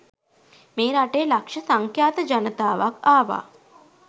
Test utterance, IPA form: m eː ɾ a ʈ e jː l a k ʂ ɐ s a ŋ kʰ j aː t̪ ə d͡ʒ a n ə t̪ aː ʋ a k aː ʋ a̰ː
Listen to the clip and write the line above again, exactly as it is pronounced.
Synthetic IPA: m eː ɾ a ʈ e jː l a k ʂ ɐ s a ŋ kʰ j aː t̪ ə d͡ʒ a n ə t̪ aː ʋ a k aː ʋ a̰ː

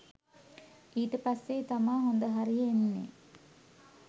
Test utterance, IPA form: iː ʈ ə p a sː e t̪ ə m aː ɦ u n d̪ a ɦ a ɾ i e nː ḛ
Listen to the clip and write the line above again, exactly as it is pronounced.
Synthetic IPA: iː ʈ ə p a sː e t̪ a m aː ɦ o n d̪ ə ɦ a ɾ i e nː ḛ

